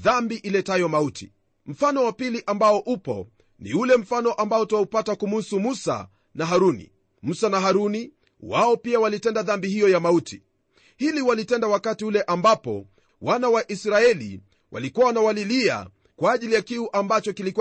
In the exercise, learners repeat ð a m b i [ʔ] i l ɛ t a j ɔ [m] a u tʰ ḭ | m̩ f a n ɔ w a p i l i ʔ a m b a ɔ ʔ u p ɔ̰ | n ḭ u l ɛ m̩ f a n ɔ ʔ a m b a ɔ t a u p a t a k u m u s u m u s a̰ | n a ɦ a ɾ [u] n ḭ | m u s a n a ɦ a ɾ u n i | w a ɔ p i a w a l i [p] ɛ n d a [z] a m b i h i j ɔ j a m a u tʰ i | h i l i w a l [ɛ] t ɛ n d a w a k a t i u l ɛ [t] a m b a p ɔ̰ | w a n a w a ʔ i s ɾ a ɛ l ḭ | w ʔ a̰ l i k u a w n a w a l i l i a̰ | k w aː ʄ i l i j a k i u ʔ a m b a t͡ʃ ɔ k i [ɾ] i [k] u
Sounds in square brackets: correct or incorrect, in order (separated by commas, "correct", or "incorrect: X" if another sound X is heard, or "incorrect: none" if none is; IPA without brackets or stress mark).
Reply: correct, correct, correct, incorrect: t, incorrect: ð, incorrect: i, incorrect: ʔ, incorrect: l, correct